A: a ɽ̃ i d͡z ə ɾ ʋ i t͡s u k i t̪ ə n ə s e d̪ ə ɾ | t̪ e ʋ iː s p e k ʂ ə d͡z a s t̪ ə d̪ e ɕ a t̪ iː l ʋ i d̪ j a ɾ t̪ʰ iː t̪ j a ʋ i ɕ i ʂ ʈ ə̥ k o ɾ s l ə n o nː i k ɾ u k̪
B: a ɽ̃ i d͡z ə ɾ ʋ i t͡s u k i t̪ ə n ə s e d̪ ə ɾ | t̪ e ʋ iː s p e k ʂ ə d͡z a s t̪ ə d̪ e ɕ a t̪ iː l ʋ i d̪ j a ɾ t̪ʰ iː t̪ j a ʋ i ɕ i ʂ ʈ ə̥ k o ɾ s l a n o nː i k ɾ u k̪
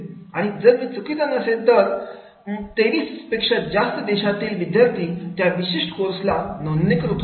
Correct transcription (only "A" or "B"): B